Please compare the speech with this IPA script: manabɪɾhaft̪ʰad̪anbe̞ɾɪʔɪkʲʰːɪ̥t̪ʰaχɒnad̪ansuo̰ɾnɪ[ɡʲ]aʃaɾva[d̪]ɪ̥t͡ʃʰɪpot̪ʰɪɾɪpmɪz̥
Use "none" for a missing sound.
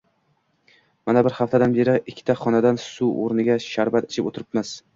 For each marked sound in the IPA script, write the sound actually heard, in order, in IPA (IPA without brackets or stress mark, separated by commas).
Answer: ɡʲ, t̪